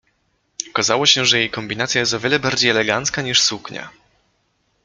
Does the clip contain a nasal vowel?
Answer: no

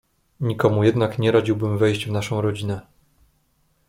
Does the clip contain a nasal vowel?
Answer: yes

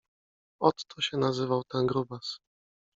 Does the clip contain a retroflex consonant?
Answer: no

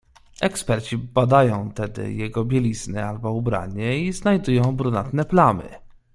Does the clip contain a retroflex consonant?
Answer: no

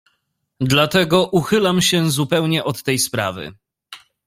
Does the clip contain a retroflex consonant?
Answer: no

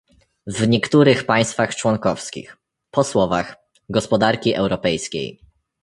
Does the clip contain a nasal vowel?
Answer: no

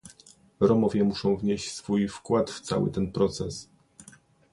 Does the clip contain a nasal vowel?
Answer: yes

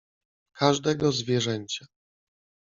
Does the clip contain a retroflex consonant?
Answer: yes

